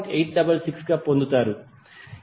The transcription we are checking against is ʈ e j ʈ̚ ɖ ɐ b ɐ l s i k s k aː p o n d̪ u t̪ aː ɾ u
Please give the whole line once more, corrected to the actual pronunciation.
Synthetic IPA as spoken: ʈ e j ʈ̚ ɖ ɐ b ɐ l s i k s ɡ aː p o n d̪ u t̪ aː ɾ u